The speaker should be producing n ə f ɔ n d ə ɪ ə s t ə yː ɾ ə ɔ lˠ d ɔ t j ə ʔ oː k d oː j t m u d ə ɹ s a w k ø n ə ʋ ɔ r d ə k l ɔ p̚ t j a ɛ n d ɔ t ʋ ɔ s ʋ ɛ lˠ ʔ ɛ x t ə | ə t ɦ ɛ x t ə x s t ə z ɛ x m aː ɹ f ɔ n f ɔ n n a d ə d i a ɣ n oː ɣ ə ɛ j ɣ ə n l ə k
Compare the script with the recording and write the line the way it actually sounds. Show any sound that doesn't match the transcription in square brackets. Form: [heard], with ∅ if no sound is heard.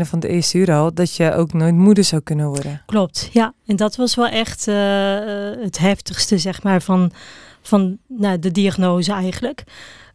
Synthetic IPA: n ə f ɔ n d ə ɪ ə s t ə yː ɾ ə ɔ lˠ d ɔ t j ə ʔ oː k [n] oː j t m u d ə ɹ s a w k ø n ə ʋ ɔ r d ə k l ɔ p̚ t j a ɛ n d ɔ t ʋ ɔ s ʋ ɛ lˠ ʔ ɛ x t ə | ə t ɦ ɛ [f] t ə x s t ə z ɛ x m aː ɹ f ɔ n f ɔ n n a d ə d i a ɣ n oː [z] ə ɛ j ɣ ə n l ə k